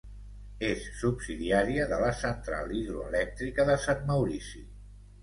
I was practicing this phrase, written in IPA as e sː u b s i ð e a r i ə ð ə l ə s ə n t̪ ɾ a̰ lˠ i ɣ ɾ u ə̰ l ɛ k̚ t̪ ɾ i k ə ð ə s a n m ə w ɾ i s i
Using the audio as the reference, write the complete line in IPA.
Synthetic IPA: e sː u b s i ð i a ɾ i ə ð ə l ə s ə n t̪ ɾ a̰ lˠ i ð ɾ u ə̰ l ɛ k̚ t̪ ɾ i k ə ð ə s a n m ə w ɾ i s i